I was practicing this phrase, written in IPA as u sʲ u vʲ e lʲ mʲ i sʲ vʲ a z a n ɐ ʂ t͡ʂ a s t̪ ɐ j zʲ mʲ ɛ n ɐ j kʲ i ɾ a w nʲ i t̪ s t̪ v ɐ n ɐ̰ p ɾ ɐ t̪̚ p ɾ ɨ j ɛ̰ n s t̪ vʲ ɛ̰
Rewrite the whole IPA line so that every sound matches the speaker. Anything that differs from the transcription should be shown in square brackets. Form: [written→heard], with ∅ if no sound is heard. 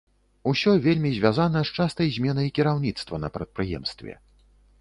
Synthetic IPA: u sʲ [u→ɔ] vʲ e lʲ mʲ i [sʲ→zʲ] vʲ a z a n ɐ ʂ t͡ʂ a s t̪ ɐ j zʲ mʲ ɛ n ɐ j kʲ i ɾ a w nʲ i t̪ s t̪ v ɐ n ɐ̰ p ɾ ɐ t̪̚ p ɾ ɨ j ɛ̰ [n→m] s t̪ vʲ ɛ̰